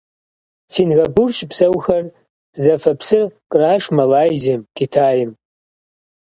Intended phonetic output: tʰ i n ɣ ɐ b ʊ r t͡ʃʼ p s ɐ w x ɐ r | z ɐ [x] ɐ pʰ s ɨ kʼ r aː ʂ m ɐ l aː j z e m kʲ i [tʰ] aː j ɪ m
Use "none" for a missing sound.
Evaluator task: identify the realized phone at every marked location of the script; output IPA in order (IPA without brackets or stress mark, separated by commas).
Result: f, tʰ